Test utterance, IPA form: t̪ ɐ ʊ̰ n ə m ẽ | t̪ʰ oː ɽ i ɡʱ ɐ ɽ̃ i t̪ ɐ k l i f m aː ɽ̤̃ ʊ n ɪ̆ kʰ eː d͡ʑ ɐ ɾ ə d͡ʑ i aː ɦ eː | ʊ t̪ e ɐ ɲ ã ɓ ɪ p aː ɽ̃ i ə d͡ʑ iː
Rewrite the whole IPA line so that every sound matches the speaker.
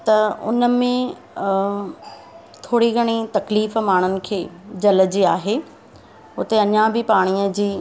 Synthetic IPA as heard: t̪ ɐ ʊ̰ n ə m ẽ | t̪ʰ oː ɽ i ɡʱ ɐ ɽ̃ i t̪ ɐ k l iː f m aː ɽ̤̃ ʊ n ɪ̆ kʰ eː d͡ʑ ɐ l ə d͡ʑ i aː ɦ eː | ʊ t̪ e ɐ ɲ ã b ɪ p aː ɽ̃ i ə d͡ʑ iː